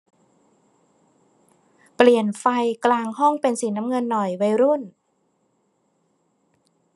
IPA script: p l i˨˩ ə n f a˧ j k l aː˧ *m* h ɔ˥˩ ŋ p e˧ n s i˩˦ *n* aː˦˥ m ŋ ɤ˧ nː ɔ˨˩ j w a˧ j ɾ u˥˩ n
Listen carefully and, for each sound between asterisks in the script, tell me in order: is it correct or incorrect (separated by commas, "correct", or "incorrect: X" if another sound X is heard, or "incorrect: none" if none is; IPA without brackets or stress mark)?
incorrect: ŋ, correct